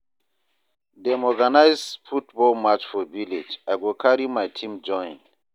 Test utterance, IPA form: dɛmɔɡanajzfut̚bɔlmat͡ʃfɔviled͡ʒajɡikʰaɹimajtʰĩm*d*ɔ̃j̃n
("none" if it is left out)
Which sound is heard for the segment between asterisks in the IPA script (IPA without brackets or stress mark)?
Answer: d͡ʒ